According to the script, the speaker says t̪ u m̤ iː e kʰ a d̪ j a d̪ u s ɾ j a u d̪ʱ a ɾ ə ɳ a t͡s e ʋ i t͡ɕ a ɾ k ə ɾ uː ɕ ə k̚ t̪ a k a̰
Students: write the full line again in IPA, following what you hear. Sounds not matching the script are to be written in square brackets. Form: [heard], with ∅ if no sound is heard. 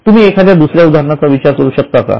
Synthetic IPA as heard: t̪ u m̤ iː e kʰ a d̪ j a d̪ u s ɾ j a u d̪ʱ a ɾ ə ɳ a t͡s [a] ʋ i t͡ɕ a ɾ k ə ɾ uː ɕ ə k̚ t̪ a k a̰

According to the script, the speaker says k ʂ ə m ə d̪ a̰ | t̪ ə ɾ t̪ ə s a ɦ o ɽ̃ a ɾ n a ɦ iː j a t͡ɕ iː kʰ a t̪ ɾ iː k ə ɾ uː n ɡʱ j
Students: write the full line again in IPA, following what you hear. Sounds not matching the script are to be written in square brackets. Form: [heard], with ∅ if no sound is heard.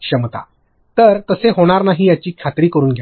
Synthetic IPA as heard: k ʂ ə m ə [t̪] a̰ | t̪ ə ɾ t̪ ə s [e] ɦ o ɽ̃ a ɾ n a ɦ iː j a t͡ɕ iː kʰ a t̪ ɾ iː k ə ɾ uː n ɡʱ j

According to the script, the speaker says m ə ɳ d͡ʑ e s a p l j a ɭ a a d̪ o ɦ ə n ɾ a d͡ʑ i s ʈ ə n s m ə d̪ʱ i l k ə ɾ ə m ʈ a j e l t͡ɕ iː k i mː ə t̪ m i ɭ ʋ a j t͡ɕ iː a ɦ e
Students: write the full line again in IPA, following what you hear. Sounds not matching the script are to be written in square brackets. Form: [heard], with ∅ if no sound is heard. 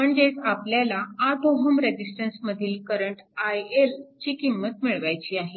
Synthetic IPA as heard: m ə ɳ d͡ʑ e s a p l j a [l] a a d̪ o ɦ ə [m] ɾ [e] d͡ʑ i s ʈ ə n s m ə d̪ʱ [iː] l k ə ɾ ə [ɳ] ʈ a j e l t͡ɕ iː k i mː ə t̪ m i ɭ ʋ a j t͡ɕ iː a ɦ e

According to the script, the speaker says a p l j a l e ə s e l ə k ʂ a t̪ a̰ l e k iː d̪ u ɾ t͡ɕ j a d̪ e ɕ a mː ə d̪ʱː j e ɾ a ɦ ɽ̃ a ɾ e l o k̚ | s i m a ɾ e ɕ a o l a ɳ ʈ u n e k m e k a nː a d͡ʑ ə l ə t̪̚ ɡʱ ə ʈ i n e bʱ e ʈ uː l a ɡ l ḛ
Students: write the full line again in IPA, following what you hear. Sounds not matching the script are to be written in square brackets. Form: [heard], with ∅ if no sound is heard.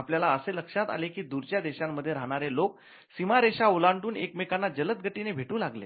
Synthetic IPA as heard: a p l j a l [a] ə s e l ə k ʂ a t̪ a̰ l e k iː d̪ u ɾ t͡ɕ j a d̪ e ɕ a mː ə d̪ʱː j e ɾ a ɦ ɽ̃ a ɾ e l o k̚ | s i m a ɾ e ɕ a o l a ɳ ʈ [uː] n e k m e k a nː a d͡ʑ ə l ə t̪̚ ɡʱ ə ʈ i n e bʱ e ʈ uː l a ɡ l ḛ

